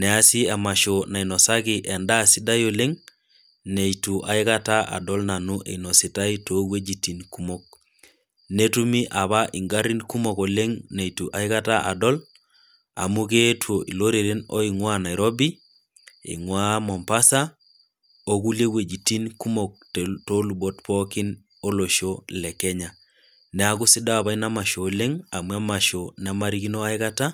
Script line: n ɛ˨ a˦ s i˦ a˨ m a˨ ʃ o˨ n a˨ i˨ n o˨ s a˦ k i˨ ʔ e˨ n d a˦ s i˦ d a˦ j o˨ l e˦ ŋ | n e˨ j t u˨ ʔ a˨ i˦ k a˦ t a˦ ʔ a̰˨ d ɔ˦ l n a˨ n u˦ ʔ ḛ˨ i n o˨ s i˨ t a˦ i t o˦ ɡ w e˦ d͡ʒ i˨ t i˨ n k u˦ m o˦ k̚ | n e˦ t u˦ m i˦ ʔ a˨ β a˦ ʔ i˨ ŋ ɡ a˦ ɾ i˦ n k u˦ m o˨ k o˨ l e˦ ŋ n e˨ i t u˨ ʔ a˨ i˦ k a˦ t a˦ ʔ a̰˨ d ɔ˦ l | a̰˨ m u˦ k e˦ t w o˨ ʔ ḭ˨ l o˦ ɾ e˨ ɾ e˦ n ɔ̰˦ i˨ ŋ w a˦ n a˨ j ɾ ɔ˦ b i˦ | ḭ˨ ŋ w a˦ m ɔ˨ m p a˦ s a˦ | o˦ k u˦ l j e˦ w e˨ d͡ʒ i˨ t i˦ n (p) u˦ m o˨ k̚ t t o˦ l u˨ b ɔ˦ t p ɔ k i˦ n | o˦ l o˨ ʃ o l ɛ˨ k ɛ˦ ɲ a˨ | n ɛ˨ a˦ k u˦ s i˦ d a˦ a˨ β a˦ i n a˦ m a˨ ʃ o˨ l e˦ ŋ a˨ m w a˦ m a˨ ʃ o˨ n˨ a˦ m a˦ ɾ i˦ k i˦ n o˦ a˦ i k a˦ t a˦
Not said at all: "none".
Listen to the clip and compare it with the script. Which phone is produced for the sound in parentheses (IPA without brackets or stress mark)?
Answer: k